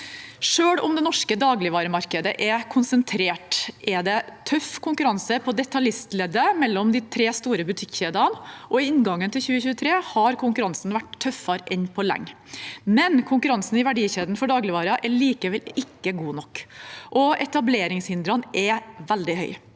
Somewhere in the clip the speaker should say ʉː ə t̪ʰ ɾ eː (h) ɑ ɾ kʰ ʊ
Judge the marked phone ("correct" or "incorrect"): correct